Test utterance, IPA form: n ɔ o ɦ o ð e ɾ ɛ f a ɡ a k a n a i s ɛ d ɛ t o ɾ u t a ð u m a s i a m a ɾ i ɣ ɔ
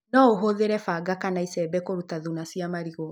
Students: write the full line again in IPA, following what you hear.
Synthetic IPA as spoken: n ɔ o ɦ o ð e ɾ ɛ f a ɡ a k a n a i s ɛ b ɛ k o ɾ u t a ð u n a s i a m a ɾ i ɣ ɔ